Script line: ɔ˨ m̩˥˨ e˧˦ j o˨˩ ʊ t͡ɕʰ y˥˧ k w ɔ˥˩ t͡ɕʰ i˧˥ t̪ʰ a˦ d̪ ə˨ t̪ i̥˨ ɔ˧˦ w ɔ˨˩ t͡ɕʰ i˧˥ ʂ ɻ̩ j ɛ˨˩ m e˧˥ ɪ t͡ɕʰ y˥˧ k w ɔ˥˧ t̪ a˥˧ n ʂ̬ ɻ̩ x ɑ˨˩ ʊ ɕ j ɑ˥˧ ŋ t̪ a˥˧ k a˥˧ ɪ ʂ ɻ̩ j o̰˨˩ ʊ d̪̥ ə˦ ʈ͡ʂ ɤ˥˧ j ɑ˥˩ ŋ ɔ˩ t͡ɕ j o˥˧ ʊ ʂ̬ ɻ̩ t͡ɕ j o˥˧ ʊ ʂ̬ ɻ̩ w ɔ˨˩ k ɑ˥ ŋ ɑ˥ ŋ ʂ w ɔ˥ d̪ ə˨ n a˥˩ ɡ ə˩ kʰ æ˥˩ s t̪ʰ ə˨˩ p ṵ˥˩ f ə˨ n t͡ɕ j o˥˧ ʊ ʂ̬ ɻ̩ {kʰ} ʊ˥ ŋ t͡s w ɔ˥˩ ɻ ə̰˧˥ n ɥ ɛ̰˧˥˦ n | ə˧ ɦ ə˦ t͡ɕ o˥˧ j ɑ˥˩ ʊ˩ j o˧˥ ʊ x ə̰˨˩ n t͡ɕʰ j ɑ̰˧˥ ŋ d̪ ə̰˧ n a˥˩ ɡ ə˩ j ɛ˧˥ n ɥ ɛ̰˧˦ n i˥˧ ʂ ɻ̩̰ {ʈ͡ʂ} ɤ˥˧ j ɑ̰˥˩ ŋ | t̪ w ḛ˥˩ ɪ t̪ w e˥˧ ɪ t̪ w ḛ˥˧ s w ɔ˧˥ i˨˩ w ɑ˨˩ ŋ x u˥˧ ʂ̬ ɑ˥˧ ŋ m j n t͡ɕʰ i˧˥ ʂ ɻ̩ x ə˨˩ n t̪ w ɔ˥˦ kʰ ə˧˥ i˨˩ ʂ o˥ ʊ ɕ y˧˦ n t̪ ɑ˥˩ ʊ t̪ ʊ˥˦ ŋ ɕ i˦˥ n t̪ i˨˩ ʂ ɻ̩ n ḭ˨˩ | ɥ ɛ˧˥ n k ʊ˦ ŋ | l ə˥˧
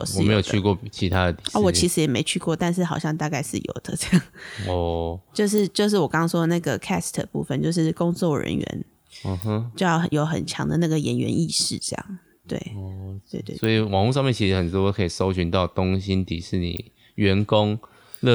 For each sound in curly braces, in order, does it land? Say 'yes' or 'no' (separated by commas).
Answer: no, yes